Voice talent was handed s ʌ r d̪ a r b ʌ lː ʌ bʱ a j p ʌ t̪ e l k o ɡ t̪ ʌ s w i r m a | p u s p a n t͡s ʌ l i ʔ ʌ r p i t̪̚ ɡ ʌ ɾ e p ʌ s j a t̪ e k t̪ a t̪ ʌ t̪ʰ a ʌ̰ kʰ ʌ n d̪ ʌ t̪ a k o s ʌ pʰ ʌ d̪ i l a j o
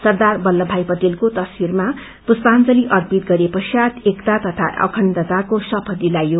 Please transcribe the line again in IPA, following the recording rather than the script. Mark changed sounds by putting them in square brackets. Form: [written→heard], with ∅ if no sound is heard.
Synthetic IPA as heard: s ʌ r d̪ a r b ʌ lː ʌ bʱ a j p ʌ t̪ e l k o [ɡ→∅] t̪ ʌ s w i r m a | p u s p a n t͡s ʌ l i ʔ ʌ r p i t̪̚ ɡ ʌ ɾ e p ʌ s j a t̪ e k t̪ a t̪ ʌ t̪ʰ a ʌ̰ kʰ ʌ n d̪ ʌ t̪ a k o s ʌ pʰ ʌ d̪ i l a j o